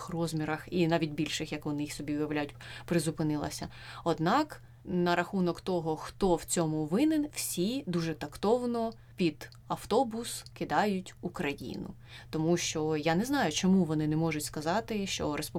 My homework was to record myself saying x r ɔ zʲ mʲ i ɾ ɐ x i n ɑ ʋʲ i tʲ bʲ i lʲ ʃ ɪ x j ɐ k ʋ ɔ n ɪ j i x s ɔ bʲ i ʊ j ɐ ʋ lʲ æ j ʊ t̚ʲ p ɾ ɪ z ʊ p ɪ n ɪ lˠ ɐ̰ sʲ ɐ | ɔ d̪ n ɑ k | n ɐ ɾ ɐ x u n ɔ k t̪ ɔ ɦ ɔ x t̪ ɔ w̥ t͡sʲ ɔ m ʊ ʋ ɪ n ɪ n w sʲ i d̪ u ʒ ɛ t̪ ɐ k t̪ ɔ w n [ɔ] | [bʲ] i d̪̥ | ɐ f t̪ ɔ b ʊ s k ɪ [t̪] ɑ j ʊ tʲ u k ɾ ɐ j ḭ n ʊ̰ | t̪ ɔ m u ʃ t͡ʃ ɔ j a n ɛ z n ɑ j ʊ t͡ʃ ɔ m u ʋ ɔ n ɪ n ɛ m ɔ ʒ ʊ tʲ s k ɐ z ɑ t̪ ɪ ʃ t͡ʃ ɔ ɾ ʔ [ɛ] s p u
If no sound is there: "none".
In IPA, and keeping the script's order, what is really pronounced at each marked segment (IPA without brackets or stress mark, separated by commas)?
ɔ, pʲ, d̪, e